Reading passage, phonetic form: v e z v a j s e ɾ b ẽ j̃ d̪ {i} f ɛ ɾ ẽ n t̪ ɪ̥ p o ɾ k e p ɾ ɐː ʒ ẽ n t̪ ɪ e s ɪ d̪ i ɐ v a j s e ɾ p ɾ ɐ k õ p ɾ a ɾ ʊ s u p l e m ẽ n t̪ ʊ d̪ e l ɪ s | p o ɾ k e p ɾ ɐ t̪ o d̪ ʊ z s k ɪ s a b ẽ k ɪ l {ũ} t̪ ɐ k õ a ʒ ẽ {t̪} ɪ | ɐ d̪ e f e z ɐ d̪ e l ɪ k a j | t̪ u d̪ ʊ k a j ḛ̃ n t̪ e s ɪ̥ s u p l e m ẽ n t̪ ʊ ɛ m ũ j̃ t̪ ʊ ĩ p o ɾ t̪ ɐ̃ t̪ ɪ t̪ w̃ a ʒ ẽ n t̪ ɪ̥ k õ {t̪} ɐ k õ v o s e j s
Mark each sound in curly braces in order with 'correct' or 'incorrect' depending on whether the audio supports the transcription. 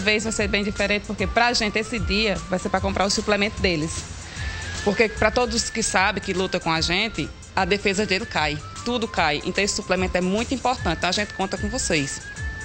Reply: correct, incorrect: u, correct, correct

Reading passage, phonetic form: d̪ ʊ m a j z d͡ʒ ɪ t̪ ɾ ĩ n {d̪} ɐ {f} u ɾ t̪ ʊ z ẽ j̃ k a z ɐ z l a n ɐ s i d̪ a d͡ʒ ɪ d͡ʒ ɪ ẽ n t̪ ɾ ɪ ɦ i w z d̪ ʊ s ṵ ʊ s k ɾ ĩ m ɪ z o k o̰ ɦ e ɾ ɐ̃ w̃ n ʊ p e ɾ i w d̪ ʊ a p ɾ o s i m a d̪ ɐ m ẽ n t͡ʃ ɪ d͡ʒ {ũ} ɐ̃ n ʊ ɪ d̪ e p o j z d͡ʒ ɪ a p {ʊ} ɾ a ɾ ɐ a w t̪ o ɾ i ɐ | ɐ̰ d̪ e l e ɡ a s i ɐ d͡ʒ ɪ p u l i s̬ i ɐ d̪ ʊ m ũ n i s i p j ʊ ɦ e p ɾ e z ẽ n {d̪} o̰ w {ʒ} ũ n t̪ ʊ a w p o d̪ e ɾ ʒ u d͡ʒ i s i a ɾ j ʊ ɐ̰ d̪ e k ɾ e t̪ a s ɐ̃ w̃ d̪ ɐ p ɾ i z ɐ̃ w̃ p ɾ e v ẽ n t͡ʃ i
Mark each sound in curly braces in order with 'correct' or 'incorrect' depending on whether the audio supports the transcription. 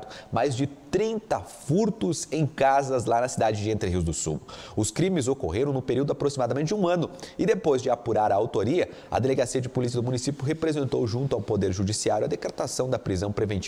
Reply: incorrect: t̪, correct, correct, incorrect: u, incorrect: t̪, correct

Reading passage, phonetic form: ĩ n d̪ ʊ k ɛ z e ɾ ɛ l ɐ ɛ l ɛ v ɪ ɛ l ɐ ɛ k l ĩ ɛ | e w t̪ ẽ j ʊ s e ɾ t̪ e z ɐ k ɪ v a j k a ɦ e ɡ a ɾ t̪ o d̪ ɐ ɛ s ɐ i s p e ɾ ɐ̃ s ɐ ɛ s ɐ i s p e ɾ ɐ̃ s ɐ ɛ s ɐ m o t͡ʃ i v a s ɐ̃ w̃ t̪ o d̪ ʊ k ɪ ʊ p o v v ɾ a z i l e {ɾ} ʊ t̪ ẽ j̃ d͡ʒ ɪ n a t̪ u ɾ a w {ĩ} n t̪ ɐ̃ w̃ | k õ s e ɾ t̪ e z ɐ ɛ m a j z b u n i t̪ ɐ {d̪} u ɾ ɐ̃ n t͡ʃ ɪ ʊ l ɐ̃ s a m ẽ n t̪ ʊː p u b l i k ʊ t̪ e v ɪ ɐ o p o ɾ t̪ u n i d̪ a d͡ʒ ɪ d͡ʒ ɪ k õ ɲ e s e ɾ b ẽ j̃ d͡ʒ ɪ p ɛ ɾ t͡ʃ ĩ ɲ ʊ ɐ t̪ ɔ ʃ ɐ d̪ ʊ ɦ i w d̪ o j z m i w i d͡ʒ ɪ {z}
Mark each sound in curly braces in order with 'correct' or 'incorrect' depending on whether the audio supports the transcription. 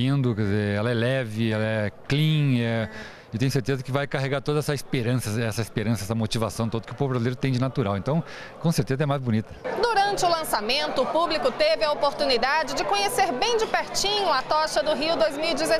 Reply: correct, incorrect: ẽ, correct, correct

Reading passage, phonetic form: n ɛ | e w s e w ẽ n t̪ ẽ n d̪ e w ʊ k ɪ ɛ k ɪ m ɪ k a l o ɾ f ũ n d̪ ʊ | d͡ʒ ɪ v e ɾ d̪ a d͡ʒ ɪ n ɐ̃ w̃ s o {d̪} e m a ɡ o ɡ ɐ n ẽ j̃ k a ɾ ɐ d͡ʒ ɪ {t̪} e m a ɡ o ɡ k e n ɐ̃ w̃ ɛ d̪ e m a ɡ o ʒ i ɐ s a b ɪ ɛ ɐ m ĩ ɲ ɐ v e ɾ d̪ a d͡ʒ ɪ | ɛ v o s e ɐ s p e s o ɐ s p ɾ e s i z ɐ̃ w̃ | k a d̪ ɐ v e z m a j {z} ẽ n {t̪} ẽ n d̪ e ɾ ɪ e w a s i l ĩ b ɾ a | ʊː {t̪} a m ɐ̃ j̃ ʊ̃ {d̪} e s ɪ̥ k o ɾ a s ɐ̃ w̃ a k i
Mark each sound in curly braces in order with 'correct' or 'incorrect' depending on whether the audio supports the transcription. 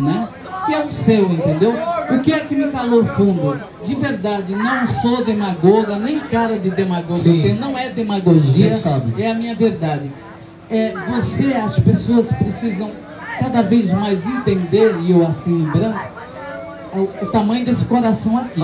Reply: correct, incorrect: d̪, correct, correct, correct, correct

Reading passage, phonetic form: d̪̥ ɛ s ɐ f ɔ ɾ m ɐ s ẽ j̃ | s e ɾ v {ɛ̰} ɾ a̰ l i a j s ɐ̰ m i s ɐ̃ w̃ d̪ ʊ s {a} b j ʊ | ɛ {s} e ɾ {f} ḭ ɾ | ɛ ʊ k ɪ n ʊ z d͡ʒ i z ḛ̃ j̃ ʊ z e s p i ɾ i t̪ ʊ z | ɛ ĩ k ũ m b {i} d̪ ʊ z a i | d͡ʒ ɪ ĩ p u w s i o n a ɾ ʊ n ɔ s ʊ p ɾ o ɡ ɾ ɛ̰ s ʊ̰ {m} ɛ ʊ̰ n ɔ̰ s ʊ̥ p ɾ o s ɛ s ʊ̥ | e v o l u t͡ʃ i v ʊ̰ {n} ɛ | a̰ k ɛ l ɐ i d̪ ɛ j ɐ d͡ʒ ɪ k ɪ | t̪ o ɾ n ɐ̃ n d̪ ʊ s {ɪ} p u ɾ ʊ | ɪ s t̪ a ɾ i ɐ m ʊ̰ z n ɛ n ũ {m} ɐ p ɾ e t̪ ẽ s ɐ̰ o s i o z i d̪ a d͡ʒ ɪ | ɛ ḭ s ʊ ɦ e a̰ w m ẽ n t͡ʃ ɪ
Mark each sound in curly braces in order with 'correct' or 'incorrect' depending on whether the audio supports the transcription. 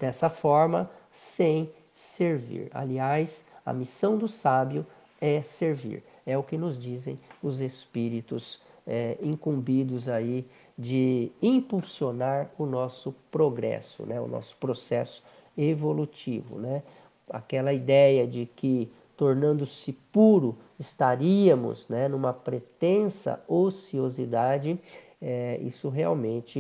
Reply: incorrect: ḭ, correct, correct, incorrect: v, correct, incorrect: n, correct, correct, correct

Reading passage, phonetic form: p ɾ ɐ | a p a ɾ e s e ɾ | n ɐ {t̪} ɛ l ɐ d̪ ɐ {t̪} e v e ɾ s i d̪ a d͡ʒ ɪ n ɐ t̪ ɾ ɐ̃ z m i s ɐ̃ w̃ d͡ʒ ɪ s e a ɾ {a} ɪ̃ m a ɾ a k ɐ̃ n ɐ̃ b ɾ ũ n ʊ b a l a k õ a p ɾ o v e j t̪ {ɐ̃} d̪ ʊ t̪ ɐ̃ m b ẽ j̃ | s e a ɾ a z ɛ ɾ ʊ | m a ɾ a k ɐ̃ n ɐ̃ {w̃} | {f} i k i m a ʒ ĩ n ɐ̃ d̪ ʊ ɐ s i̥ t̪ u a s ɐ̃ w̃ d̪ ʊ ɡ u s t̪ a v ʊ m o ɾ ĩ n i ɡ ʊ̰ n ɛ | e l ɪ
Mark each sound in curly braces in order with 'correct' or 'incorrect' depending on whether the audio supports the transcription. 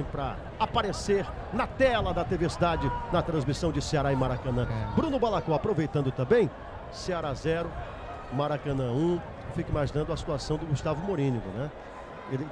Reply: correct, correct, correct, correct, incorrect: ũ, correct

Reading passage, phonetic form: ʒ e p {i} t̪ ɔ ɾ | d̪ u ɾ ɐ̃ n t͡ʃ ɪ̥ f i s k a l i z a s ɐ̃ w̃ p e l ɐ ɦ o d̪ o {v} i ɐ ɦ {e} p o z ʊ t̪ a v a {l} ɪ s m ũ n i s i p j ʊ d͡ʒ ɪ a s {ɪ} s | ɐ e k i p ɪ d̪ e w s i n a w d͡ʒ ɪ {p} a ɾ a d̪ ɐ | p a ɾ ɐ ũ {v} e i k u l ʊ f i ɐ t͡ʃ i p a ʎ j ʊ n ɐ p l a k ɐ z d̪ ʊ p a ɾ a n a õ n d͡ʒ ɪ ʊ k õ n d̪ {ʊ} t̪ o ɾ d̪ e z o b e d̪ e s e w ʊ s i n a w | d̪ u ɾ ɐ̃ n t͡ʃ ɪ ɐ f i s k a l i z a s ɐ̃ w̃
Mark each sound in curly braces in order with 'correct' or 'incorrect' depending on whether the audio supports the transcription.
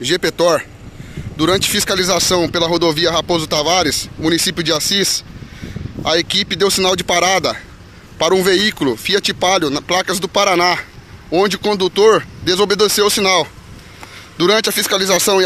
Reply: incorrect: e, correct, incorrect: a, incorrect: ɾ, incorrect: i, correct, correct, incorrect: u

